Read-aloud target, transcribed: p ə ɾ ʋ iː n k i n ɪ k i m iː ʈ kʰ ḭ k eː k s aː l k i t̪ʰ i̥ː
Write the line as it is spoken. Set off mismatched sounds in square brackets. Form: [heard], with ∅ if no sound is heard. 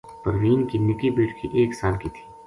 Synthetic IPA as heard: p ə ɾ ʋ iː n k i n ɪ k i [b] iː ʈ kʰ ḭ [ʔ] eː k s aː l k i t̪ʰ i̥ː